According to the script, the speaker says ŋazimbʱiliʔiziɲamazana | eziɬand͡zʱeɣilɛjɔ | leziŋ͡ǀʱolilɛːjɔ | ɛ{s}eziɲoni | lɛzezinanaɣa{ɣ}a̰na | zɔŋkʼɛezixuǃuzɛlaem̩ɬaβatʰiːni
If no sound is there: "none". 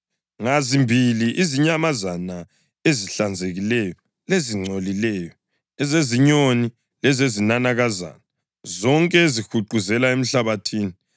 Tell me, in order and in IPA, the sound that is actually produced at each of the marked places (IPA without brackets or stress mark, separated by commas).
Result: z, z